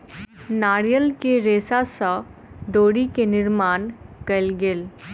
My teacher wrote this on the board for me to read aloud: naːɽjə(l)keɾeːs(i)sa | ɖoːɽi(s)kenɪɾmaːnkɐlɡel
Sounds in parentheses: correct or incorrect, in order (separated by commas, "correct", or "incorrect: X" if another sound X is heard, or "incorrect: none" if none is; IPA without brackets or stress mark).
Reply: correct, incorrect: a, incorrect: none